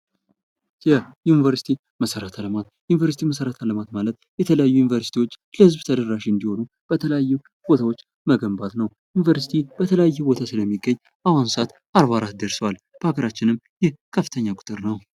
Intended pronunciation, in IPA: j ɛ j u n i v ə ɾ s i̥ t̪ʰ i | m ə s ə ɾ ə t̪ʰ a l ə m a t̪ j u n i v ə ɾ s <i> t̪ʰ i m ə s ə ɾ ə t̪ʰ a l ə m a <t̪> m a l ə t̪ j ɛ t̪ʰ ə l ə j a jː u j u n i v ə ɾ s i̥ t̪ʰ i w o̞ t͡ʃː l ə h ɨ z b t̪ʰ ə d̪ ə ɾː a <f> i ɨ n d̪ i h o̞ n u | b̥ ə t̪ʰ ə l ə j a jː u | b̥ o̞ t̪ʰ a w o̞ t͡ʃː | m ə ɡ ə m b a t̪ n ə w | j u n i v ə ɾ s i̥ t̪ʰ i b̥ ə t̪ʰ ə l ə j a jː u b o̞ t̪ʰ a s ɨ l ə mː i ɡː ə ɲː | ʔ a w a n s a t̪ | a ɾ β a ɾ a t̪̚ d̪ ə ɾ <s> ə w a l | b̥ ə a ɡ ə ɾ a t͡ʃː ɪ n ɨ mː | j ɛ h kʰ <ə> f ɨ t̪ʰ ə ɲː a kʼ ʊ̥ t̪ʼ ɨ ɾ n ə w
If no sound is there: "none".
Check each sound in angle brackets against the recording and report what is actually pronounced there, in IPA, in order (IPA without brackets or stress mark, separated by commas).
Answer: i, t̪, ʃ, s, ə